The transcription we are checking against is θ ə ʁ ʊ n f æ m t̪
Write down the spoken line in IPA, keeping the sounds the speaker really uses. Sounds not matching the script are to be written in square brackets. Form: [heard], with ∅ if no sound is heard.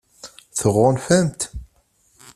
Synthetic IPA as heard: θ ə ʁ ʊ n f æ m t̪